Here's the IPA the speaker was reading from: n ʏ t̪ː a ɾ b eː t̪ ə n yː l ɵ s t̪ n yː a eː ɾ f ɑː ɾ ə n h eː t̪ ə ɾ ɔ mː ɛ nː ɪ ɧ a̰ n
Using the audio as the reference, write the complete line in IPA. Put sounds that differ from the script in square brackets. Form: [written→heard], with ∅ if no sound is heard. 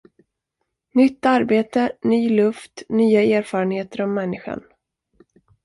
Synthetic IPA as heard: n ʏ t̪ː a ɾ b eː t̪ ə n yː l ɵ [s→f] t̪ n yː a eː ɾ f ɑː ɾ ə n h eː t̪ ə ɾ ɔ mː ɛ nː ɪ ɧ a̰ n